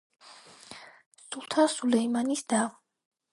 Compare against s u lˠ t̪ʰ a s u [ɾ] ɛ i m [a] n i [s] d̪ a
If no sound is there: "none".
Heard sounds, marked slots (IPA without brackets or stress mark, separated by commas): l, a, s